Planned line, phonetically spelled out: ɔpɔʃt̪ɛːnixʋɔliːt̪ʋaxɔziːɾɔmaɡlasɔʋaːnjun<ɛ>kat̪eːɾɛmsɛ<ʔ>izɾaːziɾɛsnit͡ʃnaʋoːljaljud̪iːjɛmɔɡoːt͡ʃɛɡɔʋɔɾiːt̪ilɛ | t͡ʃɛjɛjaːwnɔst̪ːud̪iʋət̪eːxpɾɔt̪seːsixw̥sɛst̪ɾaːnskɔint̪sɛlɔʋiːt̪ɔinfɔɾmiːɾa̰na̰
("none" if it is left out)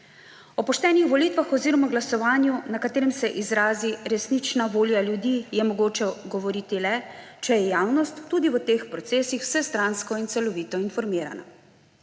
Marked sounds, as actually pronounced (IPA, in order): a, ʔ

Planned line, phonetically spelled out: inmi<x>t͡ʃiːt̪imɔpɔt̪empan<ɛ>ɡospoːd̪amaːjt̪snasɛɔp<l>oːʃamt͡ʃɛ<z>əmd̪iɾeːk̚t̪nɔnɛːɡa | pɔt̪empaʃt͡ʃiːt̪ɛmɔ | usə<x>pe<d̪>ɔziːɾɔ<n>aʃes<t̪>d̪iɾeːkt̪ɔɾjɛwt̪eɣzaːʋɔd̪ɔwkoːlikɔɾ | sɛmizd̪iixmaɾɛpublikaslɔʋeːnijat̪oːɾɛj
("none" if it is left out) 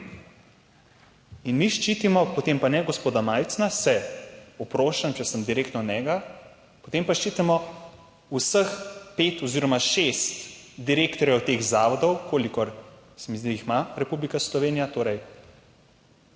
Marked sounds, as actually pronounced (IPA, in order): ʃ, ɛ, ɾ, s, x, t̪, m, t̪

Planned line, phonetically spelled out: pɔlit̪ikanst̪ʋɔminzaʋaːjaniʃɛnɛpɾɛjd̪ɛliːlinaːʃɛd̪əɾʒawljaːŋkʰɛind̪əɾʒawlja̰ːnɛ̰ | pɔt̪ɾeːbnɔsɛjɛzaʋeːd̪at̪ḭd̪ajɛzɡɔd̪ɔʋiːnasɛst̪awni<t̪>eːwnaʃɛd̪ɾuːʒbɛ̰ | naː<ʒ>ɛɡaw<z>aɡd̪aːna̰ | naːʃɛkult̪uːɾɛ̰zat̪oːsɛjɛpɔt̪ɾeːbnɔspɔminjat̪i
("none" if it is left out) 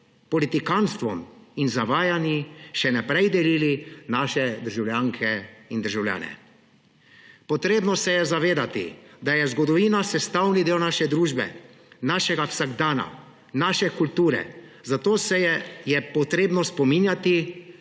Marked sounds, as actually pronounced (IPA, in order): d̪, ʃ, s

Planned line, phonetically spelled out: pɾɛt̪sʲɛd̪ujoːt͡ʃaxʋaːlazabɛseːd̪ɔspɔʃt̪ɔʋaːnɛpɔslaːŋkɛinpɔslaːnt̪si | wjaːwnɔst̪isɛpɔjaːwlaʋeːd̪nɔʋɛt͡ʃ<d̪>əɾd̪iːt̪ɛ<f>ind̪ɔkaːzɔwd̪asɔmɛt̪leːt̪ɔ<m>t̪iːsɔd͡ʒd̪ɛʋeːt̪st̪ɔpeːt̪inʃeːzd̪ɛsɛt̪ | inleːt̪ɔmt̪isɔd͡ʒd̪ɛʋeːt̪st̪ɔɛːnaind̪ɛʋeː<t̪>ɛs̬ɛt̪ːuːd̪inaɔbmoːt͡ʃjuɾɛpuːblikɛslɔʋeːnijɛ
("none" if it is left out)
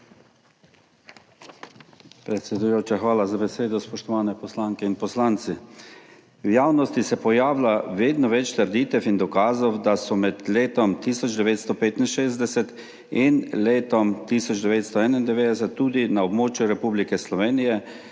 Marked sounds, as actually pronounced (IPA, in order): t̪, f, m, d̪

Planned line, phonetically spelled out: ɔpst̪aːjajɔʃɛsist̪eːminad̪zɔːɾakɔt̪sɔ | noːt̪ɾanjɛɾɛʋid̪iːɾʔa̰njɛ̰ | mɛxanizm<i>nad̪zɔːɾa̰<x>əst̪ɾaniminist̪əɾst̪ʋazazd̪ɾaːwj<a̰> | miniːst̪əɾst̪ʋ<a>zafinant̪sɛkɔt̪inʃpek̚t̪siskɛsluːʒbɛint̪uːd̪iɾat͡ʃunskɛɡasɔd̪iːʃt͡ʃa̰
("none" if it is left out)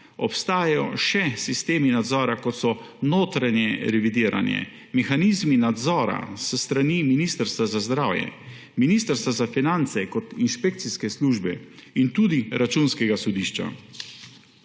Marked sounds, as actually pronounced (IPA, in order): i, s, ɛ̰, a

